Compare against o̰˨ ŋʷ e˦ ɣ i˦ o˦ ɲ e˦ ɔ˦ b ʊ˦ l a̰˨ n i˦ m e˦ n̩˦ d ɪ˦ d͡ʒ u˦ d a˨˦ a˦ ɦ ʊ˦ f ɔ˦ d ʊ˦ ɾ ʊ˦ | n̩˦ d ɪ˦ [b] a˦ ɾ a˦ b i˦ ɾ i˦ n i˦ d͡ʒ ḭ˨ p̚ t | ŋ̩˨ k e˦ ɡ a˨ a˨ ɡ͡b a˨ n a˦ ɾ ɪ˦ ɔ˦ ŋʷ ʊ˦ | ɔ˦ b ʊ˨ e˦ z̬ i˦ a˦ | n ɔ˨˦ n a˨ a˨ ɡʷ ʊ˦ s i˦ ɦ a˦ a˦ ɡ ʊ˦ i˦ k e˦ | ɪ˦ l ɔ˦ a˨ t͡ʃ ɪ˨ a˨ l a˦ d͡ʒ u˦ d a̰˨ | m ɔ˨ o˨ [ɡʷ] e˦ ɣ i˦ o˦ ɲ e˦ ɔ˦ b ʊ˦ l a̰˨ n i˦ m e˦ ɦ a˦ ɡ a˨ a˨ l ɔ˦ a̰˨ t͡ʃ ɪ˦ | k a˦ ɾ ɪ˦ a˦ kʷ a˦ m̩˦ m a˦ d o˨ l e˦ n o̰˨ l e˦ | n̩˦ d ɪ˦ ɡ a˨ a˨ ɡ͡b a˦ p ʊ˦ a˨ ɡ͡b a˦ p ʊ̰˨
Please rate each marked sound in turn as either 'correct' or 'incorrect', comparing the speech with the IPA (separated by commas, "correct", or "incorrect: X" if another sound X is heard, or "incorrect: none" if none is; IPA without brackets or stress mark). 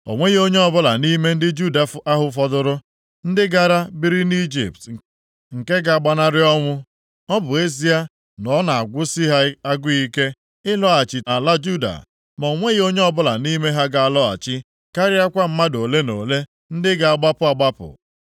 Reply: incorrect: ɡ, incorrect: ŋʷ